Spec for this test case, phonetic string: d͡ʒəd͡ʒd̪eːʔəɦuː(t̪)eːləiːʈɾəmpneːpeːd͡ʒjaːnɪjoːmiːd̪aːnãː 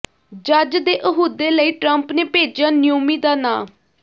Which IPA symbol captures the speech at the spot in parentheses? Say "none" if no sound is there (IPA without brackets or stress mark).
d̪